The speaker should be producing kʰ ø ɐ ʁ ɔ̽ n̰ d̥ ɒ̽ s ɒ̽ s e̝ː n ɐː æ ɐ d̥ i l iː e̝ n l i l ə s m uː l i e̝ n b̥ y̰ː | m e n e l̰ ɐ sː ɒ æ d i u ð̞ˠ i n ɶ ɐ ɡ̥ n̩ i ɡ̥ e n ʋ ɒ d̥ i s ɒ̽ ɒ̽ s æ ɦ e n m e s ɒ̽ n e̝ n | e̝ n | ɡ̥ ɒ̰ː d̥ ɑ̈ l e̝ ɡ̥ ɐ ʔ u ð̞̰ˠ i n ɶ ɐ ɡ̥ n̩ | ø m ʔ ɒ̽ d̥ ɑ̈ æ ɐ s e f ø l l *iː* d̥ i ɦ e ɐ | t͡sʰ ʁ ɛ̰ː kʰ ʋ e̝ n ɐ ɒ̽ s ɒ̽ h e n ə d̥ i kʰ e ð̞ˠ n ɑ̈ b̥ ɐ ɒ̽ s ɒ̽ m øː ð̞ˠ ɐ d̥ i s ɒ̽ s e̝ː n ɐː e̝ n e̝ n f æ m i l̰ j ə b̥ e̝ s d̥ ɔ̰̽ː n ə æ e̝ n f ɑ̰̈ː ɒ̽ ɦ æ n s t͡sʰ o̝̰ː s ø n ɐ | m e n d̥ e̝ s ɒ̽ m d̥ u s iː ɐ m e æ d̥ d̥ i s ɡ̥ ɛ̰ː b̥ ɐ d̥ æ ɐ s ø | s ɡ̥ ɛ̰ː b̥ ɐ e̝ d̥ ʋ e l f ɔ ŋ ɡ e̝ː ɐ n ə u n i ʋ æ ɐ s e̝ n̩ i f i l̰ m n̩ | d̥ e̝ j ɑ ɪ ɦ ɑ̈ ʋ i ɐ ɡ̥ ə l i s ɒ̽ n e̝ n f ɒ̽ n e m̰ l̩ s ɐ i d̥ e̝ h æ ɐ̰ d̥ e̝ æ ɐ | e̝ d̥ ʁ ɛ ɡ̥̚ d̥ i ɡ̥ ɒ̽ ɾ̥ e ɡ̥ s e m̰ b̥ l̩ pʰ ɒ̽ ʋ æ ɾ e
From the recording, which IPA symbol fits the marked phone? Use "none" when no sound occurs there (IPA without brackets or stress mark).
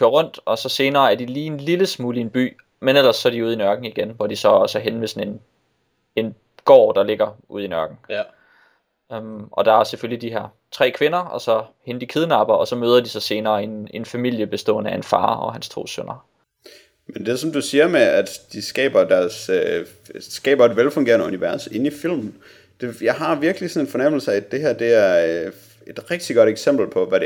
i